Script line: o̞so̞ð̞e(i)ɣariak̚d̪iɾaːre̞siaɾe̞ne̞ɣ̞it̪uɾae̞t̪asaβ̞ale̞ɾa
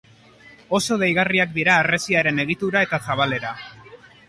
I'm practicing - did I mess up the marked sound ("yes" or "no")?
yes